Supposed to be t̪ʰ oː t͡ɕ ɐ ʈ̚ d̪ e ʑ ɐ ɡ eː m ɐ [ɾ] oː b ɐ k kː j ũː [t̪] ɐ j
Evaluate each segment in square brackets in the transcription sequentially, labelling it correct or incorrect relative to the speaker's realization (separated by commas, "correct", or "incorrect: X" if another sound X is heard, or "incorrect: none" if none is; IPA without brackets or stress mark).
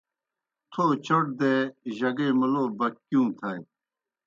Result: incorrect: l, incorrect: t̪ʰ